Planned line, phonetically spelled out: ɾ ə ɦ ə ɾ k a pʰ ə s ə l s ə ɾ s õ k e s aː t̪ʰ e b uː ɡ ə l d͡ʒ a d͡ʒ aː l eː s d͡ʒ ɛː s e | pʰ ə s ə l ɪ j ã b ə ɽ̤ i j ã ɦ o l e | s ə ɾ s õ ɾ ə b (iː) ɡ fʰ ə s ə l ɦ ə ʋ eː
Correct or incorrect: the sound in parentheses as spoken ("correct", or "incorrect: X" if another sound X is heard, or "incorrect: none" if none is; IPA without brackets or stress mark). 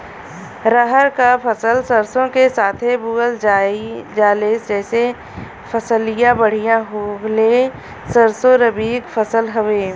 correct